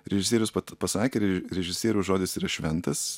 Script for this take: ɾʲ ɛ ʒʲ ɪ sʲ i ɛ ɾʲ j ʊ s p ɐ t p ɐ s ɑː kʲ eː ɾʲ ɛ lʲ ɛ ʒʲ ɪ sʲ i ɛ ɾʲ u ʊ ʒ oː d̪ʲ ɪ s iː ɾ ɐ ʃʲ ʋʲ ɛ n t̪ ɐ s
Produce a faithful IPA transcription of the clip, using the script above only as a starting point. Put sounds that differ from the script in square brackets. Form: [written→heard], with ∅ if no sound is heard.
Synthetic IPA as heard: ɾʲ ɛ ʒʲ ɪ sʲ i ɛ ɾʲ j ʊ s p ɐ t p ɐ s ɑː kʲ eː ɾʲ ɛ [lʲ→ɾʲ] ɛ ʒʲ ɪ sʲ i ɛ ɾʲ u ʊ ʒ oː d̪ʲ ɪ s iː ɾ ɐ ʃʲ ʋʲ ɛ n t̪ ɐ s